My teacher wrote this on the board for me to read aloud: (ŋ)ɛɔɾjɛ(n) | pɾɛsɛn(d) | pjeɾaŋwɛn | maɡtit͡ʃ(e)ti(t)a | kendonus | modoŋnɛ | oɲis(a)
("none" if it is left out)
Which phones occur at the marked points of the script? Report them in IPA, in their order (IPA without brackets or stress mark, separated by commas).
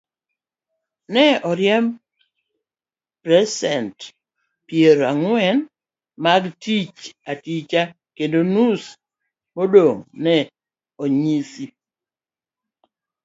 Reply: n, m, t, a, t͡ʃ, i